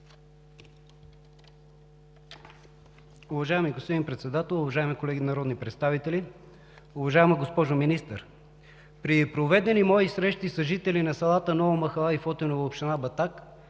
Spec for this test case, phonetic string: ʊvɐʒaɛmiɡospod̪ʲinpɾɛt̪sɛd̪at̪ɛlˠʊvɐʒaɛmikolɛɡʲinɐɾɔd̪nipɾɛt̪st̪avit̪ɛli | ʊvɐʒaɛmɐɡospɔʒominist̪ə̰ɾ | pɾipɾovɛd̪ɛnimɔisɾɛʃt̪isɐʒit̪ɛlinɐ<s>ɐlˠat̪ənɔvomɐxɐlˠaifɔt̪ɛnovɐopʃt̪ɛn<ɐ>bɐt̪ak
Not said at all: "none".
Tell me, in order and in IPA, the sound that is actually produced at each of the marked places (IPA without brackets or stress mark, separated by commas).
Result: s, a